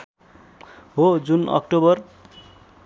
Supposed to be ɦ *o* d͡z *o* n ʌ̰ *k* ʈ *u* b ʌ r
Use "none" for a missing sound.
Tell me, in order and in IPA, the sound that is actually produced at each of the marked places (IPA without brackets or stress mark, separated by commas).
o, u, k, o